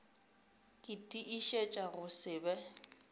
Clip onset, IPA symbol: kʼ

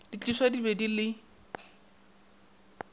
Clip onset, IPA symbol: d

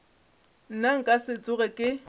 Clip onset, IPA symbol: n̩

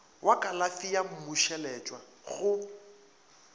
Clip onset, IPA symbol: w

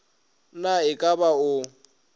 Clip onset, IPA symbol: n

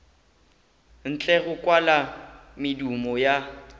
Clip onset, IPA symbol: n̩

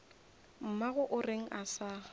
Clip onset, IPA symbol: m̩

